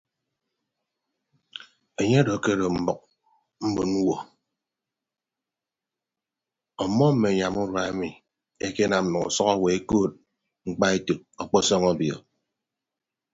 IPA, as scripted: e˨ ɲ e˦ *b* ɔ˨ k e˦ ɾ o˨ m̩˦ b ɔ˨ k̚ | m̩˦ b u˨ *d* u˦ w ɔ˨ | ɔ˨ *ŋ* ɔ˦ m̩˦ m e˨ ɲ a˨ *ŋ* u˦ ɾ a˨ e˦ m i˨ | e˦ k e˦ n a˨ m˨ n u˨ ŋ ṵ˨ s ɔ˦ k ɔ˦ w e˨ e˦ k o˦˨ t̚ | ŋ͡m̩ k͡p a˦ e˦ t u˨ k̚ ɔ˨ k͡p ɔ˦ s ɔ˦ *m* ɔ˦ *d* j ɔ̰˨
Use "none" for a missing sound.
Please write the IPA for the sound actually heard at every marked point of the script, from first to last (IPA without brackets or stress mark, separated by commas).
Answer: d, n, m, m, ŋ, b